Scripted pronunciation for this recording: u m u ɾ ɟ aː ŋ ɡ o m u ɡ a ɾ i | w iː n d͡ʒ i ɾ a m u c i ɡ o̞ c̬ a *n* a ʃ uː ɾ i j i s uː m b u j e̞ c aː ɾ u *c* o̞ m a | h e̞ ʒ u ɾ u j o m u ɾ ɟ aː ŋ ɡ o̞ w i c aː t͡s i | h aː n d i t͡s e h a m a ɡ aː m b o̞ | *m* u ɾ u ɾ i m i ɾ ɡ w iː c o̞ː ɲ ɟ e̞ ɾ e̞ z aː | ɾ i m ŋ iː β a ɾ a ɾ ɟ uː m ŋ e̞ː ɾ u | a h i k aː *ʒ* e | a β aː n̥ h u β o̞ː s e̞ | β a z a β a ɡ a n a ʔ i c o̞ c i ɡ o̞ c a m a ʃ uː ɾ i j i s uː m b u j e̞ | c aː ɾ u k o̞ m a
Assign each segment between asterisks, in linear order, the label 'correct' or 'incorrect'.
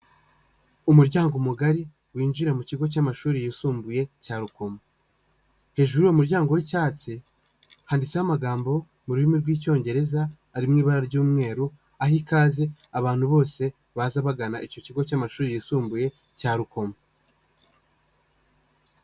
incorrect, incorrect, correct, incorrect

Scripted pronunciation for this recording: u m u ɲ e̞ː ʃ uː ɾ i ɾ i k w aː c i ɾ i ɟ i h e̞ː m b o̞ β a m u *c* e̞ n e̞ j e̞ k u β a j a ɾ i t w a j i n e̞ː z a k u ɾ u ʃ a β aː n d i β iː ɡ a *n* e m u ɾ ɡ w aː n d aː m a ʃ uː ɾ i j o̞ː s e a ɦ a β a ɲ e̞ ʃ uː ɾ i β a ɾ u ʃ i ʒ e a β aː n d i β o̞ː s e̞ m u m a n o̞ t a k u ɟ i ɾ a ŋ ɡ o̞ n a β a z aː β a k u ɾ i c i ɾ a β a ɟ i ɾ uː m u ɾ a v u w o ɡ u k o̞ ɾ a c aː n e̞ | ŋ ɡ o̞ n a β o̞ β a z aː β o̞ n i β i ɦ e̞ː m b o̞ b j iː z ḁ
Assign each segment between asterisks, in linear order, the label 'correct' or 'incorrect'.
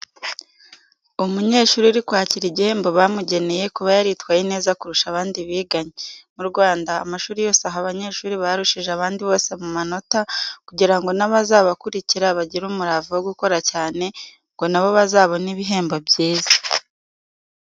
incorrect, incorrect

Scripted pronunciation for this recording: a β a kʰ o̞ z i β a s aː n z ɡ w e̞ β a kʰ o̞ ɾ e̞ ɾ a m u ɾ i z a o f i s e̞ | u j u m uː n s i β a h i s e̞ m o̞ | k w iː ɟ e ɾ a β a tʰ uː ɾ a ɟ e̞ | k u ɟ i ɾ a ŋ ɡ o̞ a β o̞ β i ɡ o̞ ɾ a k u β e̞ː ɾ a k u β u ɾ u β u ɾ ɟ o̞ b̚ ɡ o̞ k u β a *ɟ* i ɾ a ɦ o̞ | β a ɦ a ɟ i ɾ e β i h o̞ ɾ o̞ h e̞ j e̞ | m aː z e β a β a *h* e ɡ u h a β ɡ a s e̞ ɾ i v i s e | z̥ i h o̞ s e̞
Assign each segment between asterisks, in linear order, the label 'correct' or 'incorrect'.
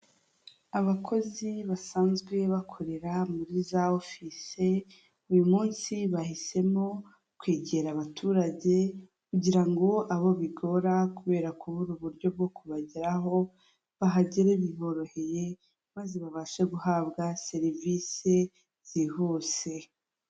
correct, incorrect

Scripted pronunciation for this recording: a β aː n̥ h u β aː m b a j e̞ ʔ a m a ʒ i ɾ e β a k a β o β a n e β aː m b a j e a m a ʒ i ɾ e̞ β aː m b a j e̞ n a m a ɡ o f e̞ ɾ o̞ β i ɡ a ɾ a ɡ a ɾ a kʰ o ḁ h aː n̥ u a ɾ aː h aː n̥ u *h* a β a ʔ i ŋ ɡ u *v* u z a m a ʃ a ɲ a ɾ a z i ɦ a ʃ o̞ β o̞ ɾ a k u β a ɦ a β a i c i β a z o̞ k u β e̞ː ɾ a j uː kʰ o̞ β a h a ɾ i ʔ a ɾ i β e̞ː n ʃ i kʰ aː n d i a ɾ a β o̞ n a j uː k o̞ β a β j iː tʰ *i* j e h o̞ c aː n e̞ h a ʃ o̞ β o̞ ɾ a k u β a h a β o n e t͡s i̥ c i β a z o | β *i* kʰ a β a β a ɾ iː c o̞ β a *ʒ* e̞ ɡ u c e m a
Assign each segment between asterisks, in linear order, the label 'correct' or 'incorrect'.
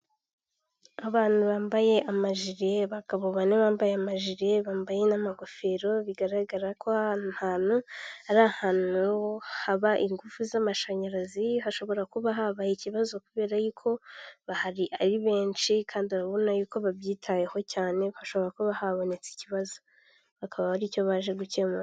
correct, incorrect, incorrect, incorrect, correct

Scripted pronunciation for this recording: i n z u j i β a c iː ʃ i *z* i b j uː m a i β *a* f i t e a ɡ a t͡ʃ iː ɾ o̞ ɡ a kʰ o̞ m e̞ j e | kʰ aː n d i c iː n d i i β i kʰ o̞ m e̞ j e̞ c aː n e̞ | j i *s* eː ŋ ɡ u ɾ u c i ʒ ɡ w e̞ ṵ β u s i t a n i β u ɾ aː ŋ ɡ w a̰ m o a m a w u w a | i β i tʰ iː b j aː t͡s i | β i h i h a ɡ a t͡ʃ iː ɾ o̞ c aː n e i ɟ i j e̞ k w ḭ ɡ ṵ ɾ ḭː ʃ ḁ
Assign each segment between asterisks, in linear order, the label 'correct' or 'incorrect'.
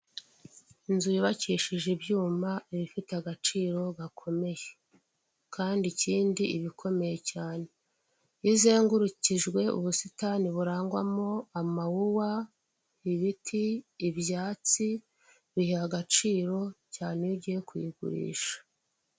incorrect, incorrect, incorrect

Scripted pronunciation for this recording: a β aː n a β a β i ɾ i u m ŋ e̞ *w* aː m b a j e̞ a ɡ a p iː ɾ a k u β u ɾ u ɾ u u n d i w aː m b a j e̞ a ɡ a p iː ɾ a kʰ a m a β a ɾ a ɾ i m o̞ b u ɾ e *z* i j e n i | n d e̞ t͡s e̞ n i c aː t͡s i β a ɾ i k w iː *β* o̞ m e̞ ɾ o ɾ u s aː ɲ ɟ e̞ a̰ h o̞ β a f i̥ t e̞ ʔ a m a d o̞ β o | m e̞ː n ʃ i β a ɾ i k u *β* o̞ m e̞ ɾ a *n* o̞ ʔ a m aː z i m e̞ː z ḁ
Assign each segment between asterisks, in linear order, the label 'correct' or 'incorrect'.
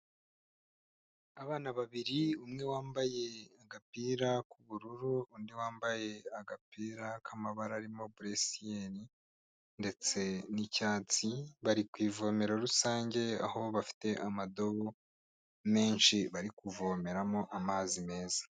correct, incorrect, incorrect, incorrect, incorrect

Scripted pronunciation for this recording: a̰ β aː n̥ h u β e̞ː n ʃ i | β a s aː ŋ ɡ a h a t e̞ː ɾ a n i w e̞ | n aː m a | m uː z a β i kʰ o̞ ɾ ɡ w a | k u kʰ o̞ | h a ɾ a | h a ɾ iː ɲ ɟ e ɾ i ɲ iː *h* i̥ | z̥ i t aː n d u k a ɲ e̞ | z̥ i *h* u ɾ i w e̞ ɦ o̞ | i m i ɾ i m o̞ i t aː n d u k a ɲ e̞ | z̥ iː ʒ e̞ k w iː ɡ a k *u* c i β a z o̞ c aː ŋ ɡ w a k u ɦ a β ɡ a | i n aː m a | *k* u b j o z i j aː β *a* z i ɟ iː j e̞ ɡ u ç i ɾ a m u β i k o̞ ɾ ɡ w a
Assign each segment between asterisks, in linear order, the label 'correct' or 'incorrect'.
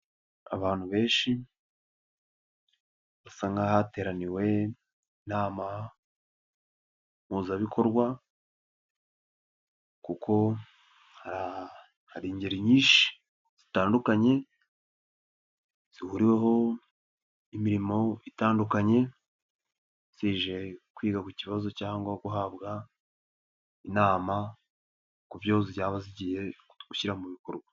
incorrect, correct, correct, correct, correct

